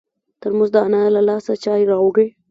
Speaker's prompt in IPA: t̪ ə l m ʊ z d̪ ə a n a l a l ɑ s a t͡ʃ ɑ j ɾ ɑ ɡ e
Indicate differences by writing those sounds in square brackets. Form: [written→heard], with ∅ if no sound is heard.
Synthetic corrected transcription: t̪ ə [l→ɾ] m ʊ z d̪ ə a n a l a l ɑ s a t͡ʃ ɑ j ɾ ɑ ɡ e